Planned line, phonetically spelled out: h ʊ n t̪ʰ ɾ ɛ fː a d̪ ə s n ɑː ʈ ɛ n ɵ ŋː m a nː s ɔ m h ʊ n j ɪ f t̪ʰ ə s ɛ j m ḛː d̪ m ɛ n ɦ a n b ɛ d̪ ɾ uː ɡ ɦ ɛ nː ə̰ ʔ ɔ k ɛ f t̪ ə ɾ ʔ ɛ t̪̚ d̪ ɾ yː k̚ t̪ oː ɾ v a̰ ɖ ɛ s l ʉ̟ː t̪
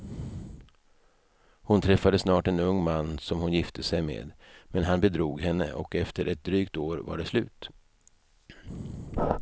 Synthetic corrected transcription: h ʊ n t̪ʰ ɾ ɛ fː a d̪ ə s n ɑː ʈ ɛ n ɵ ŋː m a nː s ɔ m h ʊ n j ɪ f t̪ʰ ə s ɛ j m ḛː d̪ m ɛ n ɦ a n b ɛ d̪ ɾ uː ɡ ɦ ɛ nː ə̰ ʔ ɔ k ɛ f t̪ ə ɾ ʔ ɛ t̪̚ d̪ ɾ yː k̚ t̪ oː ɾ v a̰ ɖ ɛ s l ʉ̟ː t̪